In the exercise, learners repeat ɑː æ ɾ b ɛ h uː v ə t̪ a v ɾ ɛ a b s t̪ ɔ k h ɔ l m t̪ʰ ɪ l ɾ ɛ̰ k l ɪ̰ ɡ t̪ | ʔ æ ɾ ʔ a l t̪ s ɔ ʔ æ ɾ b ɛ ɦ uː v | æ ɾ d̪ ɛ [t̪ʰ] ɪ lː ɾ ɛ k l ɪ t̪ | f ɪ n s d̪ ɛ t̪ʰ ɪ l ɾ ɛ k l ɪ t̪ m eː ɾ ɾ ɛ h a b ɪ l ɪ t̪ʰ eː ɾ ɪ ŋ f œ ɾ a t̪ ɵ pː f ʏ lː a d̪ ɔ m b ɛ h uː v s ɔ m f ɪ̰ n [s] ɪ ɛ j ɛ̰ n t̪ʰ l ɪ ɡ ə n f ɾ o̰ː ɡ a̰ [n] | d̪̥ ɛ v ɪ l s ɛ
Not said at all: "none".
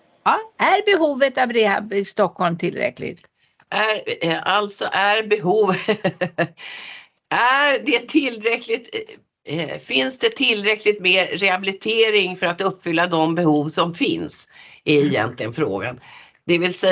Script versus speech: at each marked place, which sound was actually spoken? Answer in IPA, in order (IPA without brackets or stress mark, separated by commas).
t̪ʰ, s, n